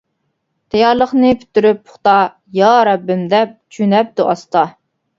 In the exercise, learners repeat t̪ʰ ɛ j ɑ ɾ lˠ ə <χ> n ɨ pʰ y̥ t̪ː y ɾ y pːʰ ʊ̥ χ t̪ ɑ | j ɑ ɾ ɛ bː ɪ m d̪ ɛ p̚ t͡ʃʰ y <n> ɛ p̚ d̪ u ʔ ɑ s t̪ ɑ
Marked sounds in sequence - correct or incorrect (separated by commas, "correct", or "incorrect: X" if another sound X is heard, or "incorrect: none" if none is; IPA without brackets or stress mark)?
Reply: correct, correct